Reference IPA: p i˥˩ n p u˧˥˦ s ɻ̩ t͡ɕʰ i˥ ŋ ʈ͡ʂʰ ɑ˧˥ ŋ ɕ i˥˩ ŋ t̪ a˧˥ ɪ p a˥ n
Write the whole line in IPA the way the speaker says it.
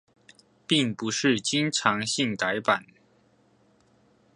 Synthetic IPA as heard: p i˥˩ ŋ p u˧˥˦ ʂ ɻ̩ t͡ɕ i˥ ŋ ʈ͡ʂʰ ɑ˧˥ ŋ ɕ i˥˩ ŋ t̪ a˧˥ ɪ p a˨˩˦ n